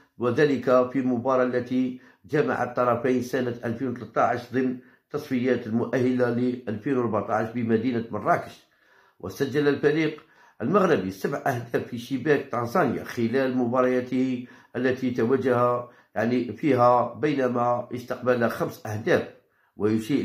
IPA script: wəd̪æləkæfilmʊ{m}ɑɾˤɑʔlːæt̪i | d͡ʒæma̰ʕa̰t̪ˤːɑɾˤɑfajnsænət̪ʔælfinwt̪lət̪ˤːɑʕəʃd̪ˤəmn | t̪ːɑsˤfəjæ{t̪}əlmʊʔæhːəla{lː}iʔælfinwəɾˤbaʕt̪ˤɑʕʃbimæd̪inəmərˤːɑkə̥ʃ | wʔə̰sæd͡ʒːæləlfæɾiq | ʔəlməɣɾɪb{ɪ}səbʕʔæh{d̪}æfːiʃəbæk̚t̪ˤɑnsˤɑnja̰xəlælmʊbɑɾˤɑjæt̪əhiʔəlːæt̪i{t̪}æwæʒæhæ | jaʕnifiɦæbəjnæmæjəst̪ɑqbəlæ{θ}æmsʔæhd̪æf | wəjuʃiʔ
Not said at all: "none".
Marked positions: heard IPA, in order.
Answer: b, t̪, l, i, d̪, t̪, x

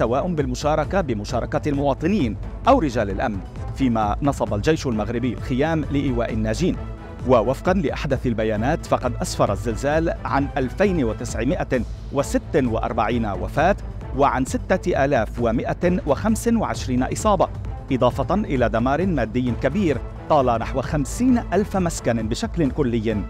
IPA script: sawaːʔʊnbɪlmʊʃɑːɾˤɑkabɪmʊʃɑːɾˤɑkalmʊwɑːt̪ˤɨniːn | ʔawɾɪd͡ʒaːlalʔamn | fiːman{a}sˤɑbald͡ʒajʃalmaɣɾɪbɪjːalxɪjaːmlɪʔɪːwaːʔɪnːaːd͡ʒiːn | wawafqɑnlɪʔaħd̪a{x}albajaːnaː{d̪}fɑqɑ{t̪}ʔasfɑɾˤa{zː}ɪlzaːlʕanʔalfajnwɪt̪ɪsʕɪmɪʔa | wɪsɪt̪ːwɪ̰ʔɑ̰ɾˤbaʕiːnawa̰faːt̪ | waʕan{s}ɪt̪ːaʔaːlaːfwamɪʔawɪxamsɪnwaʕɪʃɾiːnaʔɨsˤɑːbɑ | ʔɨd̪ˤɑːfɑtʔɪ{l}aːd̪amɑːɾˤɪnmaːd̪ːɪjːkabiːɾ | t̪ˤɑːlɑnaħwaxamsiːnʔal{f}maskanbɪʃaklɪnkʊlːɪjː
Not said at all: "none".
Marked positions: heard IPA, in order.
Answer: ɑ, θ, t̪, d̪, zː, s, l, f

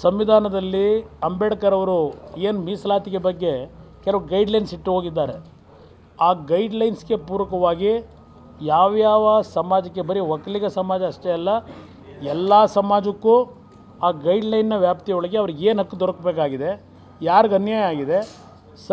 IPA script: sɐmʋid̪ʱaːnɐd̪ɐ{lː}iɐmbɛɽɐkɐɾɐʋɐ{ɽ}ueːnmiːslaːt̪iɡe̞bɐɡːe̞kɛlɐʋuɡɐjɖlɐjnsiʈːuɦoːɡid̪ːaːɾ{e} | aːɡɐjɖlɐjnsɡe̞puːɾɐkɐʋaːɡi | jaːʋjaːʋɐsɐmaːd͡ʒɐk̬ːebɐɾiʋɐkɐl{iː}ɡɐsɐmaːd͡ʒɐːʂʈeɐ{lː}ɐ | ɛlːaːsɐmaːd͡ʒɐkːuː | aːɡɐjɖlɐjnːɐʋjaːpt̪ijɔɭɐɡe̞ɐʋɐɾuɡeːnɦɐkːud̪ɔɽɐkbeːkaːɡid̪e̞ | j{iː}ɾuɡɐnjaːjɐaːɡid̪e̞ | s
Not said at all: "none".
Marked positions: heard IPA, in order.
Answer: lː, ɾ, e, i, lː, aː

